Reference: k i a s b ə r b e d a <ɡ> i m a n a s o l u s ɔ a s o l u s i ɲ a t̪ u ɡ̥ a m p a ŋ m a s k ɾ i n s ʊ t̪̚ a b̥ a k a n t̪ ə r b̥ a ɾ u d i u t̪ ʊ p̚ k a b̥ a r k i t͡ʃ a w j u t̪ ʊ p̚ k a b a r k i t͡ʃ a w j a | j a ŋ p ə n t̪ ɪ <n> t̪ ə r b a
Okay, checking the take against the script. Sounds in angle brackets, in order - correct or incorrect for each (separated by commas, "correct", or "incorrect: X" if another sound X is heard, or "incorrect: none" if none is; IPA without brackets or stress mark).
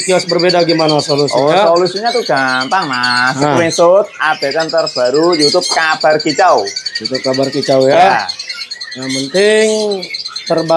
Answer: correct, incorrect: ŋ